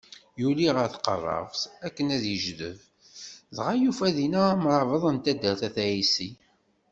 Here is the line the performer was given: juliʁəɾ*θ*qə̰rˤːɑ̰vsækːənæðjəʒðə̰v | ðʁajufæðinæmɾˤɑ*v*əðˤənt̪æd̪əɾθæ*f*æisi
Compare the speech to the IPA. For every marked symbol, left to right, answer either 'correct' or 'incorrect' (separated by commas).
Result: correct, correct, incorrect